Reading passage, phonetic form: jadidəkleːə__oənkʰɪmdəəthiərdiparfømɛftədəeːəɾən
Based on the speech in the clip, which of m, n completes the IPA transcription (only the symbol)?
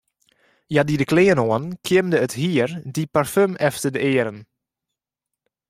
n